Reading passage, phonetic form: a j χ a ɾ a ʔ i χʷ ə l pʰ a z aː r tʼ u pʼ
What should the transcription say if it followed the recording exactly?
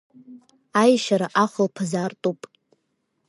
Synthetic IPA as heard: a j ʃ a ɾ a ʔ a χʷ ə l pʰ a z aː r tʼ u pʼ